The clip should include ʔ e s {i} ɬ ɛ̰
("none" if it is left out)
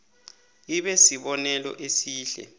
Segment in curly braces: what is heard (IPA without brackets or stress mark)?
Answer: iː